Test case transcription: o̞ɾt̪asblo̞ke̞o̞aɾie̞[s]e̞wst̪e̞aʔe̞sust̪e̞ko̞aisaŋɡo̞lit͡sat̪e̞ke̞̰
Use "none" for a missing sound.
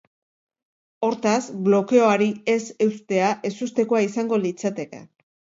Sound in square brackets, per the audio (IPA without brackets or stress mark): s